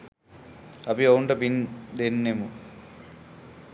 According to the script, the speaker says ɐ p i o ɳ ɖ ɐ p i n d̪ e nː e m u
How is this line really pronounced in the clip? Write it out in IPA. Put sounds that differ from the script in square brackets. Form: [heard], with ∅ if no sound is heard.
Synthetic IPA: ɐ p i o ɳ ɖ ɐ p i n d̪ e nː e m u